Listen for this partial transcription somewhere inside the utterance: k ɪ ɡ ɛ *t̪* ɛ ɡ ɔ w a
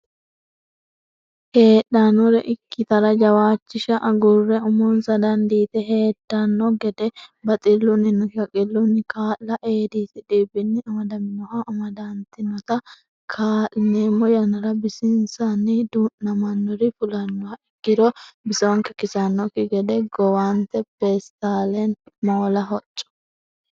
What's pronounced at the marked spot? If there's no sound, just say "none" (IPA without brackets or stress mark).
d̪